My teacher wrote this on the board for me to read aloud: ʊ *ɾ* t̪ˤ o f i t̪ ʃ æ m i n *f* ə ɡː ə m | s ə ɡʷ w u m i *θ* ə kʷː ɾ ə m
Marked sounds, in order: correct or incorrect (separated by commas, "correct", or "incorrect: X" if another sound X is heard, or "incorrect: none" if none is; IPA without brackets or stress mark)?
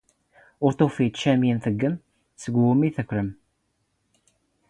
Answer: correct, incorrect: θ, correct